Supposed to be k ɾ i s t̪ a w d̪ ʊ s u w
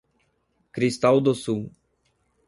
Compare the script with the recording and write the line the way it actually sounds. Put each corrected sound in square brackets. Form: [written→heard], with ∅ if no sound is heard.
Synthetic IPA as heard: k ɾ i s t̪ a w d̪ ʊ s u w